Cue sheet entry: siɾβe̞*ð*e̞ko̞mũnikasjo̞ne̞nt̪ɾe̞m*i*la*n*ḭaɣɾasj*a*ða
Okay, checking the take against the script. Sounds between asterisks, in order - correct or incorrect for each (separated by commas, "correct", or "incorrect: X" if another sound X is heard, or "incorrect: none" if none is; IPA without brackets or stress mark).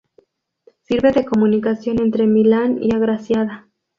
correct, correct, correct, correct